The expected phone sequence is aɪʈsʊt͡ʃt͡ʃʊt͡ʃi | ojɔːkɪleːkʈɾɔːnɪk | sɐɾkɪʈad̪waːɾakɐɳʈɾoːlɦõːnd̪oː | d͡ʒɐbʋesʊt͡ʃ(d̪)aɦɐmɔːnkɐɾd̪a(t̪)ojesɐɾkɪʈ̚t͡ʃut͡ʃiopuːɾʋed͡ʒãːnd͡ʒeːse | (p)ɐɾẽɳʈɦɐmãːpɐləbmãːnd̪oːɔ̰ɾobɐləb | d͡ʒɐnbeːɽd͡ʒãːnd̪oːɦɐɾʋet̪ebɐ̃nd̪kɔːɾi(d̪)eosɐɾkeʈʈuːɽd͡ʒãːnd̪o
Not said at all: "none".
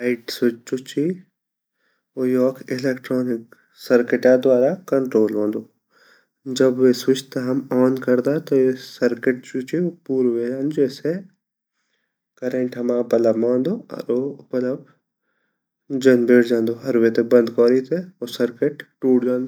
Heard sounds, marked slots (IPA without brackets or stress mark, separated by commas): t̪, t̪, k, t̪